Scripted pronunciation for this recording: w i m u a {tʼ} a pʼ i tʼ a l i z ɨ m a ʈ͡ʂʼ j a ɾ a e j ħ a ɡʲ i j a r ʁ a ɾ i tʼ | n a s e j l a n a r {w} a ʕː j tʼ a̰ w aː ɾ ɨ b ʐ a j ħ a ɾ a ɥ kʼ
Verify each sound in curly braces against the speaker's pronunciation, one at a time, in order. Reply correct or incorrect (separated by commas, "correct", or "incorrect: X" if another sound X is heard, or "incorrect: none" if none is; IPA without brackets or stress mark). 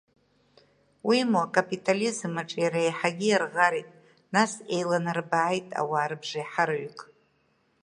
incorrect: kʼ, incorrect: b